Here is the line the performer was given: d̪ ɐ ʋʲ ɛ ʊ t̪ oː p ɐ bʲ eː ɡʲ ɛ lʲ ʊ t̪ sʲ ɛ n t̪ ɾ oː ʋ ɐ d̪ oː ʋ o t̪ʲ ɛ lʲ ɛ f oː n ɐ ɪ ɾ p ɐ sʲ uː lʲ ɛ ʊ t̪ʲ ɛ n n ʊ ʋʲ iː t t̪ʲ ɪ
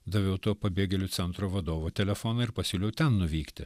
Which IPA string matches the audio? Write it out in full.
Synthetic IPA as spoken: d̪ ɐ ʋʲ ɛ ʊ t̪ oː p ɐ bʲ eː ɡʲ ɛ lʲ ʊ t̪ sʲ ɛ n t̪ ɾ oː ʋ ɐ d̪ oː ʋ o t̪ʲ ɛ lʲ ɛ f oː n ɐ ɪ ɾ p ɐ sʲ uː lʲ ɛ ʊ t̪ʲ ɛ n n ʊ ʋʲ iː k t̪ʲ ɪ

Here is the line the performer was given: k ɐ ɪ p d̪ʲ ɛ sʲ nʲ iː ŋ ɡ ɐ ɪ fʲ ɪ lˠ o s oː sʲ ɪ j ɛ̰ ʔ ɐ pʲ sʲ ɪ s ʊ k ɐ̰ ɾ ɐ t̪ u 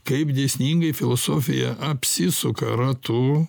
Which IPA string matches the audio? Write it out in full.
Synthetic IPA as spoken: k ɐ ɪ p d̪ʲ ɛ sʲ nʲ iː ŋ ɡ ɐ ɪ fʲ ɪ lˠ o s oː fʲ ɪ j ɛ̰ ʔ ɐ pʲ sʲ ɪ s ʊ k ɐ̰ ɾ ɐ t̪ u

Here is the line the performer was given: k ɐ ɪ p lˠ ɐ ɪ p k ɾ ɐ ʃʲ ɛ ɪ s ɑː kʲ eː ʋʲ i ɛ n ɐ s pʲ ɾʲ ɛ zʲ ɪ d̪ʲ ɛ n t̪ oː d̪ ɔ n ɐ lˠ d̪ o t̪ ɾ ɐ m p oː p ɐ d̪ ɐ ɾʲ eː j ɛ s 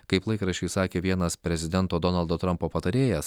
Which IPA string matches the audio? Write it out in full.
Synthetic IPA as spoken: k ɐ ɪ p lˠ ɐ ɪ k ɾ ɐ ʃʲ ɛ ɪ s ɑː kʲ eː ʋʲ i ɛ n ɐ s pʲ ɾʲ ɛ zʲ ɪ d̪ʲ ɛ n t̪ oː d̪ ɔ n ɐ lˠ d̪ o t̪ ɾ ɐ m p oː p ɐ t̪ ɐ ɾʲ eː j ɛ s

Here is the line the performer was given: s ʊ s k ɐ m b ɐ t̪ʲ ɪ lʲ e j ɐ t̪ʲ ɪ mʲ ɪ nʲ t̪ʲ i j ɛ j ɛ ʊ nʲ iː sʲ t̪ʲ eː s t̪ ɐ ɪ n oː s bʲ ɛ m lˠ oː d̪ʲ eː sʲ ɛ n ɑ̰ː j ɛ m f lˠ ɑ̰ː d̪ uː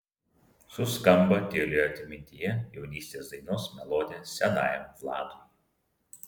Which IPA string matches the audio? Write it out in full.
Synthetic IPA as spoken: s ʊ s k ɐ m b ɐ t̪ʲ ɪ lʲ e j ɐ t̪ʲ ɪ mʲ ɪ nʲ t̪ʲ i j ɛ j ɛ ʊ nʲ iː sʲ t̪ʲ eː s d̪ ɐ ɪ n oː s mʲ ɛ lˠ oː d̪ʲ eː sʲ ɛ n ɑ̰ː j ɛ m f lˠ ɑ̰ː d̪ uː

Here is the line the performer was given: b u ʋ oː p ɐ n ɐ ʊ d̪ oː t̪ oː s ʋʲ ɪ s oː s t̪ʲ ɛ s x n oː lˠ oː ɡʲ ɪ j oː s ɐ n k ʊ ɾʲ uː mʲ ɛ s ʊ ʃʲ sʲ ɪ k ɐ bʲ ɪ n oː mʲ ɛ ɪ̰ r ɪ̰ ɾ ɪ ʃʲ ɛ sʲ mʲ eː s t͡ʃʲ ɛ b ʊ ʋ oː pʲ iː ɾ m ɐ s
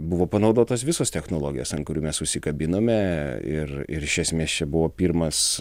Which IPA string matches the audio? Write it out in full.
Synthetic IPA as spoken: b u ʋ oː p ɐ n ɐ ʊ d̪ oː t̪ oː s ʋʲ ɪ s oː s t̪ʲ ɛ x n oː lˠ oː ɡʲ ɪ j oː s ɐ n k ʊ ɾʲ uː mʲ ɛ s ʊ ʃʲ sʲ ɪ k ɐ bʲ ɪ n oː mʲ ɛ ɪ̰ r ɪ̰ ɾ ɪ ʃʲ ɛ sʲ mʲ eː s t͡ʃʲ ɛ b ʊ ʋ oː pʲ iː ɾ m ɐ s

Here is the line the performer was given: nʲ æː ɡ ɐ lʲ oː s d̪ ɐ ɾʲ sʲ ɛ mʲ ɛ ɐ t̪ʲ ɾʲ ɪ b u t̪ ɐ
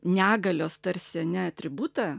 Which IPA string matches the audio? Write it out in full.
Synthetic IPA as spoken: nʲ æː ɡ ɐ lʲ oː s t̪ ɐ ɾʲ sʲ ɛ nʲ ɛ ɐ t̪ʲ ɾʲ ɪ b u t̪ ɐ

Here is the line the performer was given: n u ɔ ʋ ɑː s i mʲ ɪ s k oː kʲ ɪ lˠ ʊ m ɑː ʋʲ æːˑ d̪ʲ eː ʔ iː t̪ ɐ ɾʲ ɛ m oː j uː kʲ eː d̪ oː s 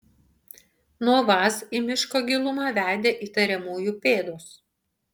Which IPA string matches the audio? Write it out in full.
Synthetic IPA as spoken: n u ɔ ʋ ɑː s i mʲ ɪ ʃ k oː ɡʲ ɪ lˠ ʊ m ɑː ʋʲ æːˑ d̪ʲ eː ʔ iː t̪ ɐ ɾʲ ɛ m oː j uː pʲ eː d̪ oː s

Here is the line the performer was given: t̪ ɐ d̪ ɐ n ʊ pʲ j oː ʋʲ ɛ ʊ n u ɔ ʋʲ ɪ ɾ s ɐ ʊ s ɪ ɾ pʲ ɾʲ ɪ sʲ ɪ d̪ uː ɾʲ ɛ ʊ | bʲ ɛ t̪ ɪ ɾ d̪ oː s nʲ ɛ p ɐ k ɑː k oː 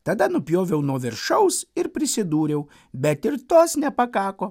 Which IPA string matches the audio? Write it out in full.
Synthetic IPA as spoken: t̪ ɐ d̪ ɐ n ʊ pʲ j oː ʋʲ ɛ ʊ n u ɔ ʋʲ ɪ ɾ ʃ ɐ ʊ s ɪ ɾ pʲ ɾʲ ɪ sʲ ɪ d̪ uː ɾʲ ɛ ʊ | bʲ ɛ t̪ ɪ ɾ t̪ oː s nʲ ɛ p ɐ k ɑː k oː

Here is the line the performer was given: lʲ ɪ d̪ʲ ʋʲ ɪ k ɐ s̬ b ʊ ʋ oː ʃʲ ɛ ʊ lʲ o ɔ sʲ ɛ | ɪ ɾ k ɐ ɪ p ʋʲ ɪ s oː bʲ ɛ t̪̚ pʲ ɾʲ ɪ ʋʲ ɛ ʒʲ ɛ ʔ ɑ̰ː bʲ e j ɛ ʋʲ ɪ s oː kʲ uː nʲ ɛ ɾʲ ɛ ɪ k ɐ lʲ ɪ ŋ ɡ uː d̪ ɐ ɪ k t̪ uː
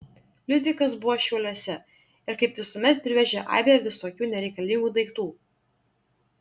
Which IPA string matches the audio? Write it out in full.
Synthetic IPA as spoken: lʲ ɪ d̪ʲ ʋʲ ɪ k ɐ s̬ b ʊ ʋ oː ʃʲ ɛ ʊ lʲ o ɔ sʲ ɛ | ɪ ɾ k ɐ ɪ p ʋʲ ɪ s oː mʲ ɛ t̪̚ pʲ ɾʲ ɪ ʋʲ ɛ ʒʲ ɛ ʔ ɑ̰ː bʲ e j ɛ ʋʲ ɪ s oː kʲ uː nʲ ɛ ɾʲ ɛ ɪ k ɐ lʲ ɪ ŋ ɡ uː d̪ ɐ ɪ k t̪ uː

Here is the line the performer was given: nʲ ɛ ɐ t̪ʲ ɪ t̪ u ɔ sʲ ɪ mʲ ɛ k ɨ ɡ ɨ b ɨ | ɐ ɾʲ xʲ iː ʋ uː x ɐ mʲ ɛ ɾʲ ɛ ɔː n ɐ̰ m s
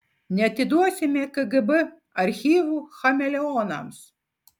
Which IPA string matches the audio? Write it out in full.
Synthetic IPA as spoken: nʲ ɛ ɐ t̪ʲ ɪ d̪ u ɔ sʲ ɪ mʲ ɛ k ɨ ɡ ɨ b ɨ | ɐ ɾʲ xʲ iː ʋ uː x ɐ mʲ ɛ lʲ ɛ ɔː n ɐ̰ m s

